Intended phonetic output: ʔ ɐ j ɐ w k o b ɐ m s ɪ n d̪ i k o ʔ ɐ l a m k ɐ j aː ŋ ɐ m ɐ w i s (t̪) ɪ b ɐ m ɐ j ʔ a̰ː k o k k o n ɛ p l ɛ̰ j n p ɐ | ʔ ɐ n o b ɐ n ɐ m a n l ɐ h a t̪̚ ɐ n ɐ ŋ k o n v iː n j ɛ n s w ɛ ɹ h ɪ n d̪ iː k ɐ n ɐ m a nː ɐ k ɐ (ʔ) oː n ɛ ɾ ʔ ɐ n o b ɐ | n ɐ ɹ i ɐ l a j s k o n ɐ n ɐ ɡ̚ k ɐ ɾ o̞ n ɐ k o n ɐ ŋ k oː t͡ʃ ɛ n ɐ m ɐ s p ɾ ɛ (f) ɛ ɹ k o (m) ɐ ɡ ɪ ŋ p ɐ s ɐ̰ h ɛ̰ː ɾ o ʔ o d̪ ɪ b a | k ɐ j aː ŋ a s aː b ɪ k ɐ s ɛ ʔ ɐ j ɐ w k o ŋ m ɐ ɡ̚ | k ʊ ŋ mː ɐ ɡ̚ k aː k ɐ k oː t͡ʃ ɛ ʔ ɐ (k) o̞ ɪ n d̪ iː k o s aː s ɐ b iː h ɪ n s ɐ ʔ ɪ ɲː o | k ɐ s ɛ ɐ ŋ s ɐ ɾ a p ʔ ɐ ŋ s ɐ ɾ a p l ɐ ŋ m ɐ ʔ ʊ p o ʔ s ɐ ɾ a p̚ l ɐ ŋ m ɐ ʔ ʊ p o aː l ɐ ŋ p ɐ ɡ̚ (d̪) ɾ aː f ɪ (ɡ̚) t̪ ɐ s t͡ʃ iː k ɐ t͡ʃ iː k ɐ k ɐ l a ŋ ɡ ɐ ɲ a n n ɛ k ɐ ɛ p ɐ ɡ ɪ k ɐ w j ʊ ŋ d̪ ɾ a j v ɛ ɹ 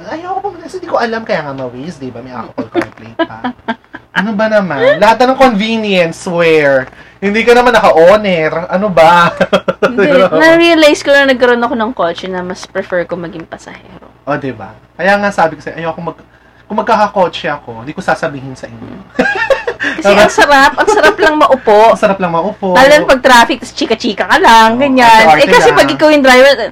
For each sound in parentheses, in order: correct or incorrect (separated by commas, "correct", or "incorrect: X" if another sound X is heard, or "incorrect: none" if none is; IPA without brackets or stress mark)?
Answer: incorrect: d̪, correct, correct, correct, correct, incorrect: t̪, incorrect: k̚